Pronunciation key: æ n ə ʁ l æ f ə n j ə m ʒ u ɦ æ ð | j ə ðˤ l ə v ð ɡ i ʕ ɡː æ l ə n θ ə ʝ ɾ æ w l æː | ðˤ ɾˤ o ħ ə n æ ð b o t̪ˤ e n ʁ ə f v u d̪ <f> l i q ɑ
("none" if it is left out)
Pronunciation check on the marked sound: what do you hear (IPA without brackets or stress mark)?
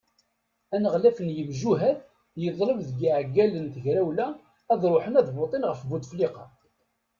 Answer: f